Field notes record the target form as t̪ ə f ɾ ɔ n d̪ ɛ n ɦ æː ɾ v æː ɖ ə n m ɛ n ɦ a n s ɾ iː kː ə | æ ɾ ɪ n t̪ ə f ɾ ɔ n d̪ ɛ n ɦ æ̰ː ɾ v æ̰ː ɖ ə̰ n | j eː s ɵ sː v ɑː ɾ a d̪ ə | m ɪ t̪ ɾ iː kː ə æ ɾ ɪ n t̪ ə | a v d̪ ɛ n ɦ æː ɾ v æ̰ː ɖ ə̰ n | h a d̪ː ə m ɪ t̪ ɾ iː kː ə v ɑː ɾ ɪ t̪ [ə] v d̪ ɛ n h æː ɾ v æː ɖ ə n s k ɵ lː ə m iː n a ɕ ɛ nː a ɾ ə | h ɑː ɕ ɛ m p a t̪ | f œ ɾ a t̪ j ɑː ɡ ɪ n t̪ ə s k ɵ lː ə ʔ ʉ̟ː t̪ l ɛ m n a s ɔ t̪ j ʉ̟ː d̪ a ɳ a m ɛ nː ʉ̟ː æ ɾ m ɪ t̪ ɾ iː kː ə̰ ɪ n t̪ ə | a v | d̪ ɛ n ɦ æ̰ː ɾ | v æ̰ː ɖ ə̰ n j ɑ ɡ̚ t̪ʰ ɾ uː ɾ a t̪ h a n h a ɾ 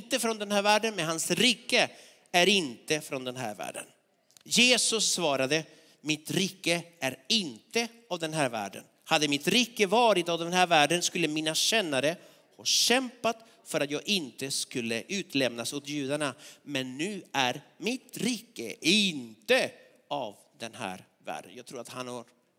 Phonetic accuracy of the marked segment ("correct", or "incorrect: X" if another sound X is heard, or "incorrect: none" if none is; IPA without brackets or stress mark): incorrect: a